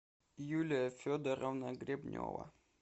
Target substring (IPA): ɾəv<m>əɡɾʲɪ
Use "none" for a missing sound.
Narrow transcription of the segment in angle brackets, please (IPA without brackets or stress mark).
n